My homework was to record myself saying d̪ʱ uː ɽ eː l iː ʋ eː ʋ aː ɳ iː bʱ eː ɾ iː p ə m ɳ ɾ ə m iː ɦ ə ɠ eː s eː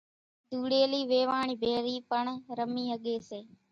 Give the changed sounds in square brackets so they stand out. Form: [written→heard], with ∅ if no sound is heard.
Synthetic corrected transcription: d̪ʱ uː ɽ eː l iː ʋ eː ʋ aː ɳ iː bʱ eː ɾ iː p ə [m→∅] ɳ ɾ ə m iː ɦ ə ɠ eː s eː